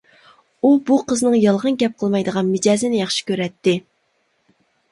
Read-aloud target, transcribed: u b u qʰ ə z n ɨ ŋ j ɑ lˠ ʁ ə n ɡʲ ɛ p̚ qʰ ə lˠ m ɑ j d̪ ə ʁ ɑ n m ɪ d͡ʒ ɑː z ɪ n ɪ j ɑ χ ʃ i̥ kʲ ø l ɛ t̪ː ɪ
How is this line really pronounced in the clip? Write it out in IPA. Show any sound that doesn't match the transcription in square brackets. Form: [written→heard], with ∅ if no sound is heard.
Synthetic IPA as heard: u b u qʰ ə z n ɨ ŋ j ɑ lˠ ʁ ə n ɡʲ ɛ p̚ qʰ ə lˠ m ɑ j d̪ ə ʁ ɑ n m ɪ d͡ʒ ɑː z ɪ n ɪ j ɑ χ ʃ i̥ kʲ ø [l→ɾ] ɛ t̪ː ɪ